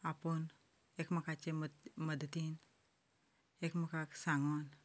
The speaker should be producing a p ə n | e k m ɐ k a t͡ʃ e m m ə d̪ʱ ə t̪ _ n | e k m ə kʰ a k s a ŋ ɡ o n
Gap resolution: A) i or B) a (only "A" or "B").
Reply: A